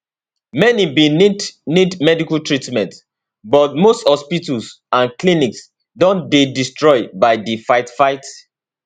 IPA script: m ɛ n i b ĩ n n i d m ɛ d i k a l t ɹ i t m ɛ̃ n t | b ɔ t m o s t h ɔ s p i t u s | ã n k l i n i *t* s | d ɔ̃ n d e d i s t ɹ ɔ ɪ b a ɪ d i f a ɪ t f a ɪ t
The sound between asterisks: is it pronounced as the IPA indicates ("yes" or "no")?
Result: no